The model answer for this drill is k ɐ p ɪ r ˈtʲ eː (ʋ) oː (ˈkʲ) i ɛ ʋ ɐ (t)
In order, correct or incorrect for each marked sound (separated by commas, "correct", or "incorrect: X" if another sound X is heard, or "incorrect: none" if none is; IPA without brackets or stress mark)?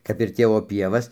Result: correct, incorrect: pʲ, incorrect: s